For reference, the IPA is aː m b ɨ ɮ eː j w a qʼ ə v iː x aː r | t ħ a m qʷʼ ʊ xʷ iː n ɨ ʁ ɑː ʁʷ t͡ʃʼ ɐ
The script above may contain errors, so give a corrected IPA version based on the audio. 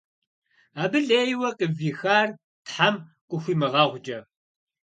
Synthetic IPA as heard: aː b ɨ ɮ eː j w ɐ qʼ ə v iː x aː r | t ħ a m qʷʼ ʊ xʷ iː m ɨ ʁ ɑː ʁʷ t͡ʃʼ ɐ